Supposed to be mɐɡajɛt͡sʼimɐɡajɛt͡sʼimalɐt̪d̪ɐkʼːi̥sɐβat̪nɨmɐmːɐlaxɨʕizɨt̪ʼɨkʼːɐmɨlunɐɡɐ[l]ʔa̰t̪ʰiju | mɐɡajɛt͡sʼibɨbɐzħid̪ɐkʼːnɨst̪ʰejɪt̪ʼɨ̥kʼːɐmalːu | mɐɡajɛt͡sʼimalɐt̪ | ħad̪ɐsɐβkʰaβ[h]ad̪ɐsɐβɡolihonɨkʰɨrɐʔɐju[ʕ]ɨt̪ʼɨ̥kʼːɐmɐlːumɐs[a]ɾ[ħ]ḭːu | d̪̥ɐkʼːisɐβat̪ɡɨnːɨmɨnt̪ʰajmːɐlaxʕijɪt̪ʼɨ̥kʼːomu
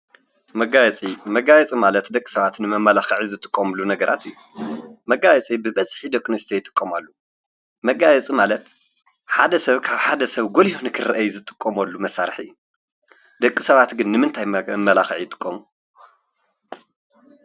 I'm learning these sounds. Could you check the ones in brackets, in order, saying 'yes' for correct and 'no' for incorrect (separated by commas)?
no, no, no, yes, yes